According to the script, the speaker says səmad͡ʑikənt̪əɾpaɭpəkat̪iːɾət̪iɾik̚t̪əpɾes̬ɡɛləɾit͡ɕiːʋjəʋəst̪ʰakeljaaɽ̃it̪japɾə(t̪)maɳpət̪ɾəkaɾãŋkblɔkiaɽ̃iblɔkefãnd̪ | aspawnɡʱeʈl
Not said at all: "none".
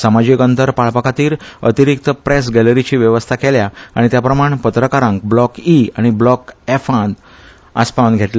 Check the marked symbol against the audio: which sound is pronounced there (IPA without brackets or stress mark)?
none